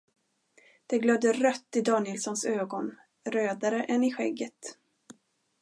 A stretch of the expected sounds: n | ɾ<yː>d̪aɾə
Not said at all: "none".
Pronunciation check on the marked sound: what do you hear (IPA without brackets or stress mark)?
øː